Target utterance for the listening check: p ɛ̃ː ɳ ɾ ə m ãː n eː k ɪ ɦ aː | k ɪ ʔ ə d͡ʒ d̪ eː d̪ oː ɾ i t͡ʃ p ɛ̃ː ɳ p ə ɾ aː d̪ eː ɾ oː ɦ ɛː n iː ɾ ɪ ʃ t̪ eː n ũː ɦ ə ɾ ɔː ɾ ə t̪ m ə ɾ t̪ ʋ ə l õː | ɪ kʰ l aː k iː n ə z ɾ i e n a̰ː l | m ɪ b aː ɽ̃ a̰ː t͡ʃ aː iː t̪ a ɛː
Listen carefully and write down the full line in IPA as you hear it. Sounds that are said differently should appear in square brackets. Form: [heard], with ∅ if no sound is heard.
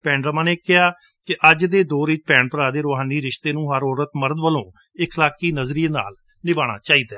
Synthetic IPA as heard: p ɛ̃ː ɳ ɾ ə m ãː n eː k ɪ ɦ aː | k ɪ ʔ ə d͡ʒ d̪ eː d̪ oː ɾ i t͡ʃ p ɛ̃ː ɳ p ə ɾ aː d̪ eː ɾ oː ɦ [aː] n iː ɾ ɪ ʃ t̪ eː n ũː ɦ ə ɾ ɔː ɾ ə t̪ m ə ɾ [d̪] ʋ ə l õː | ɪ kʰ l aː k iː n ə z ɾ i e n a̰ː l | [n] ɪ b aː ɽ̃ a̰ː t͡ʃ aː iː [d̪] a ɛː